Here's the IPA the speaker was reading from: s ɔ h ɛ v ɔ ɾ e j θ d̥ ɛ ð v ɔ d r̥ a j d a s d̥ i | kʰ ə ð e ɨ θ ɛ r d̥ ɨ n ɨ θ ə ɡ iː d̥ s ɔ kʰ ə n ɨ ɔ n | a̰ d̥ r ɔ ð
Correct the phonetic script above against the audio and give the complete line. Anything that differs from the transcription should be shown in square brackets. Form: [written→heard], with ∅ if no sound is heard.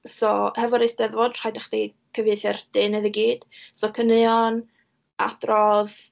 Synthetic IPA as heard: s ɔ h ɛ v ɔ ɾ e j [θ→s] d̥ ɛ ð v ɔ d r̥ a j d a [s→χ] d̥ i | kʰ ə [ð→v] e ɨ θ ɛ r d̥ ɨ n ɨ [θ→ð] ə ɡ iː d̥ s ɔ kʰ ə n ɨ ɔ n | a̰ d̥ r ɔ ð

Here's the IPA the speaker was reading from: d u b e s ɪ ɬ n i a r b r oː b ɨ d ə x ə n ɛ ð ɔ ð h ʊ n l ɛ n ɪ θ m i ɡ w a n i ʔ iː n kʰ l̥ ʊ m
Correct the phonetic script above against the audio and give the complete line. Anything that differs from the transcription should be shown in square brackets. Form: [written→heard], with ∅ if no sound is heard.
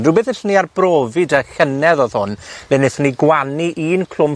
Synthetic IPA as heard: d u b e [s→θ] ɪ ɬ n i a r b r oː [b→v] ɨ d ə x ə n ɛ ð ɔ ð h ʊ n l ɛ n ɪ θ [m→n] i ɡ w a n i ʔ iː n kʰ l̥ ʊ m

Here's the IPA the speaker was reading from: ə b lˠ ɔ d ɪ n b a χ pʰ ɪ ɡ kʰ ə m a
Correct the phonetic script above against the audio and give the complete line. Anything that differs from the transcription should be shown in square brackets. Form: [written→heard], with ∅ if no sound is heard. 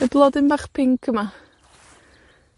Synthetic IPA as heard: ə b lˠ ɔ d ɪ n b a χ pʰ ɪ [ɡ→ŋ] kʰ ə m a

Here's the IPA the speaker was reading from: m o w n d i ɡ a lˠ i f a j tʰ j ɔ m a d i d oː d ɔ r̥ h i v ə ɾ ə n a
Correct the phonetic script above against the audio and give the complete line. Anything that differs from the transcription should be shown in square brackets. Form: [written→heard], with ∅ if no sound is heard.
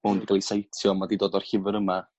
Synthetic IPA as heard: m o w n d i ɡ a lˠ i [f→s] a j tʰ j ɔ m a d i d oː d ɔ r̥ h [i→ɪ] v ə ɾ ə [n→m] a

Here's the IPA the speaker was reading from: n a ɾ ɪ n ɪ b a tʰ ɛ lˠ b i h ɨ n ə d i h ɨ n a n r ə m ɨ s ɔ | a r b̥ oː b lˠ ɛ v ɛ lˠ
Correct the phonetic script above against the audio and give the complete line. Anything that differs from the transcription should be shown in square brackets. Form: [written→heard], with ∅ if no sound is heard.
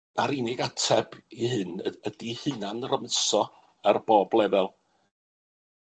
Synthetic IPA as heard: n a ɾ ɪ n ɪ [b→ɡ] a tʰ ɛ [lˠ→∅] b i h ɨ n ə d i h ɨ n a n r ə m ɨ s ɔ | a r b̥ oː b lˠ ɛ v ɛ lˠ

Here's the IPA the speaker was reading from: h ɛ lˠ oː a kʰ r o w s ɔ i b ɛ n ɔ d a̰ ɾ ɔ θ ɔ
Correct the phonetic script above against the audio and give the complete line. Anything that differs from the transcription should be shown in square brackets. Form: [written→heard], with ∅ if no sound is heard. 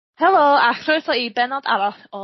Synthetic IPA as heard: h ɛ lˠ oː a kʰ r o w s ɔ i b ɛ n ɔ d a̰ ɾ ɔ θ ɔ

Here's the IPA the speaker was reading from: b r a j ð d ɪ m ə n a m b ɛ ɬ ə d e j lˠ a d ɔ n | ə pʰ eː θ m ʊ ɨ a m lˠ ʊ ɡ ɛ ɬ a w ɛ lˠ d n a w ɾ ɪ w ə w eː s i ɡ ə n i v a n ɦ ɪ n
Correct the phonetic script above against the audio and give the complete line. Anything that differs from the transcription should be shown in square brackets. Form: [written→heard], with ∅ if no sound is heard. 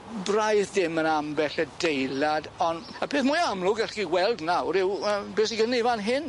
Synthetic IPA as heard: b r a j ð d ɪ m ə n a m b ɛ ɬ ə d e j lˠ a d ɔ n | ə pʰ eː θ m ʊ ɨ a m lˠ ʊ ɡ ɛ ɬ [a→i] w ɛ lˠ d n a w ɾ ɪ w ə [w→b] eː s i ɡ ə n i v a n ɦ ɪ n

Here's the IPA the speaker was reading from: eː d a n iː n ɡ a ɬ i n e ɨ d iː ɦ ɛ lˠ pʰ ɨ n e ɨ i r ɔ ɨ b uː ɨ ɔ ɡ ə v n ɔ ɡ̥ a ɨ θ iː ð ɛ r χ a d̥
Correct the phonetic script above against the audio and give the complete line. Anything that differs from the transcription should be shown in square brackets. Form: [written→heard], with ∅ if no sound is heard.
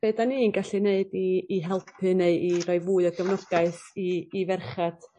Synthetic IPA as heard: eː d a n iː n ɡ a ɬ i n e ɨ d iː ɦ ɛ lˠ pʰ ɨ n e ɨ i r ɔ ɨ [b→v] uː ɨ ɔ ɡ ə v n ɔ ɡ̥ a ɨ θ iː [ð→v] ɛ r χ a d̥

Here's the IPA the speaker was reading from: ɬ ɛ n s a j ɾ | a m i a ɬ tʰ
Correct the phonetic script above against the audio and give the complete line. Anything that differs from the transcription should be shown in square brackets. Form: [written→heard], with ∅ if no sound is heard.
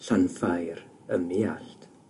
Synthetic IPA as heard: ɬ [ɛ→a] n [s→f] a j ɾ | [a→ə] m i a ɬ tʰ

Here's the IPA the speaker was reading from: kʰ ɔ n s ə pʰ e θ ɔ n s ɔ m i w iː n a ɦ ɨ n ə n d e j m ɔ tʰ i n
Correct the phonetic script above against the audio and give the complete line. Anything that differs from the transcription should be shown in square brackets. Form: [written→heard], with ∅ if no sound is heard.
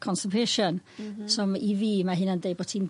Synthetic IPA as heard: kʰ ɔ n s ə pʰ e [θ→ʃ] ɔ n s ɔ m i [w→v] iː [n→m] a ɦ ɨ n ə n d e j [m→b] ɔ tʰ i n

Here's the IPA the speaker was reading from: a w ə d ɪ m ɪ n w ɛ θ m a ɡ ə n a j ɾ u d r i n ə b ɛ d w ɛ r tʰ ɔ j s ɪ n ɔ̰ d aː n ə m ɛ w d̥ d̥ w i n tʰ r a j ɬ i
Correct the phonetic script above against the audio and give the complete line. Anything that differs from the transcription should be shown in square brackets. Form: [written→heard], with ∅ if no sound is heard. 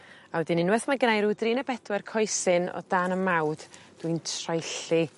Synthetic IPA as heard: a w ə d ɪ [m→n] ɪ n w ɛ θ m a ɡ ə n a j ɾ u d r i n ə b ɛ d w ɛ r [tʰ→kʰ] ɔ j s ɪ n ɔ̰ d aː n ə m [ɛ→a] w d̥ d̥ w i n tʰ r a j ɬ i

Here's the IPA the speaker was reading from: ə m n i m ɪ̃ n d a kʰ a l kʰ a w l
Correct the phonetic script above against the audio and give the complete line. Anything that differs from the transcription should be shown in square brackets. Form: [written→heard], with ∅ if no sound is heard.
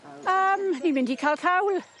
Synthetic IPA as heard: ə m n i m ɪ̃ n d [a→i] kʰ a l kʰ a w l

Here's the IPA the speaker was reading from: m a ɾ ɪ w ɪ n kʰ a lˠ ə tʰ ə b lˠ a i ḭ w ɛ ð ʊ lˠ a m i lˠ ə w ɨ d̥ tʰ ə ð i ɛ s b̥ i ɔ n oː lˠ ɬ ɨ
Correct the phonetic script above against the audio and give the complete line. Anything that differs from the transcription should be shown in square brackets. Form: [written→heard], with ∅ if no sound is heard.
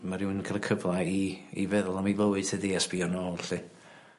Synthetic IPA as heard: m a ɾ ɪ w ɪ n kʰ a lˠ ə [tʰ→kʰ] ə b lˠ a i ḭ [w→v] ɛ ð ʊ lˠ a m i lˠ ə w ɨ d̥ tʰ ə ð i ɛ s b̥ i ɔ n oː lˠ ɬ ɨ

